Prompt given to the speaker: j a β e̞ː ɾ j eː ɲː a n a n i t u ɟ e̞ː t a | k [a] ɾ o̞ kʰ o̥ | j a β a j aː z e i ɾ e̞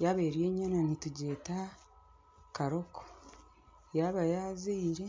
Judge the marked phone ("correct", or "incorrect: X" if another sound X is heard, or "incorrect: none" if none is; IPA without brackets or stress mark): correct